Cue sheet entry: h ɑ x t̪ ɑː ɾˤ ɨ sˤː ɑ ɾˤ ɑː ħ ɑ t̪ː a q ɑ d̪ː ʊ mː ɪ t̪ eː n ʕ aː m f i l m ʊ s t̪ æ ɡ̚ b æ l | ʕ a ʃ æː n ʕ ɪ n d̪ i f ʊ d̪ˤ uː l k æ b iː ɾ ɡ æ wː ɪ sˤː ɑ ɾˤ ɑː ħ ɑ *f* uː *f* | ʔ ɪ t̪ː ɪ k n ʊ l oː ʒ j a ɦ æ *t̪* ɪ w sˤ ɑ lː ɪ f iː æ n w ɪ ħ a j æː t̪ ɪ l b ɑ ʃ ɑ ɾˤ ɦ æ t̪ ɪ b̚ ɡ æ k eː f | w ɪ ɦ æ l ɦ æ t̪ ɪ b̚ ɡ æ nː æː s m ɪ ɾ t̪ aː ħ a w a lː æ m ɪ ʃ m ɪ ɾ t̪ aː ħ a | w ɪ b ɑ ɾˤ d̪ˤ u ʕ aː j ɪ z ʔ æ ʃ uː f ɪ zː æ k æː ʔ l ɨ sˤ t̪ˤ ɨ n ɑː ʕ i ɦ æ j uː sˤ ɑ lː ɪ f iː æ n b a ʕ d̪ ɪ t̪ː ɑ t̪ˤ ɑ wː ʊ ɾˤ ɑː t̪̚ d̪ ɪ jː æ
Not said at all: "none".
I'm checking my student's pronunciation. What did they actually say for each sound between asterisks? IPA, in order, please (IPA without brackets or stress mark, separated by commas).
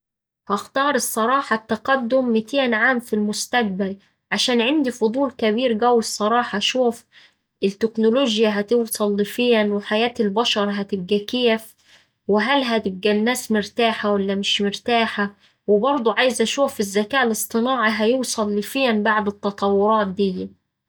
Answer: ʃ, f, t̪